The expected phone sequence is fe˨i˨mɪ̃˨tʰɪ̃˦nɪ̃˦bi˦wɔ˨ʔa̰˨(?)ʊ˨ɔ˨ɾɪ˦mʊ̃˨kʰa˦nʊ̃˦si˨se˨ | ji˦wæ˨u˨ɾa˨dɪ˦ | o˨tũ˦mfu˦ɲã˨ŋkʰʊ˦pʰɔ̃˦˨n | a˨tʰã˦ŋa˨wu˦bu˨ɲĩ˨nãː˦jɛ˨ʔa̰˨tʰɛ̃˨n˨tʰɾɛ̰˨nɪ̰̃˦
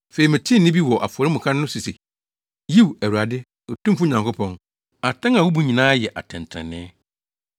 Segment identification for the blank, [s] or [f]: f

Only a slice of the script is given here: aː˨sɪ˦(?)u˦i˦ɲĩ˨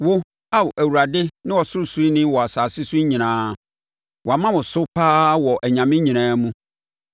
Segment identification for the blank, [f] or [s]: s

